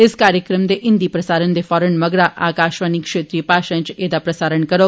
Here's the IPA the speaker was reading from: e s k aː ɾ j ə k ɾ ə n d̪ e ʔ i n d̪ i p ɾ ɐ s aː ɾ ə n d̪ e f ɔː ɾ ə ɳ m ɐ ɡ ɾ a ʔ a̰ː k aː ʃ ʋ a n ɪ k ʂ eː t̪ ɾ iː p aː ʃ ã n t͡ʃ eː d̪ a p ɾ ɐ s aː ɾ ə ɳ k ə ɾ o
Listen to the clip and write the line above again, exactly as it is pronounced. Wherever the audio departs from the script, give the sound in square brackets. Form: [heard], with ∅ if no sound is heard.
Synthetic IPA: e s k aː ɾ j ə k ɾ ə [m] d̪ e ʔ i n d̪ i p ɾ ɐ s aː ɾ ə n d̪ e f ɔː ɾ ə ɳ m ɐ ɡ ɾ a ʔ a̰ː k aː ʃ ʋ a n [i] k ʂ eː t̪ ɾ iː p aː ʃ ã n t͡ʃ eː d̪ a p ɾ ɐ s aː ɾ ə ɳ k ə ɾ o